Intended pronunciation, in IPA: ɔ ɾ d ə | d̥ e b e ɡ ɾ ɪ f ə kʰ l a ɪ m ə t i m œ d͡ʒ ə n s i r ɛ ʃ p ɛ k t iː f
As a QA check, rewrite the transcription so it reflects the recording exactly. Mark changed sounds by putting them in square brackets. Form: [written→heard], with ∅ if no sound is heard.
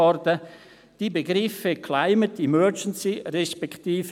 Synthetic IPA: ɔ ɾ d ə | d̥ [e→i] b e ɡ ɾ ɪ f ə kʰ l a ɪ m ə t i m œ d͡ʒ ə n s i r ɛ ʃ p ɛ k t iː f